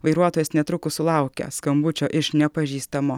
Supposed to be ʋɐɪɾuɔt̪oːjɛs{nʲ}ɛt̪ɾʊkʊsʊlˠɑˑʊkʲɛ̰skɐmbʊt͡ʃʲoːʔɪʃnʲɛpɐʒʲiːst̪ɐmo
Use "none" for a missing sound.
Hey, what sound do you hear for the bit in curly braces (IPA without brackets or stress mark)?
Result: nʲ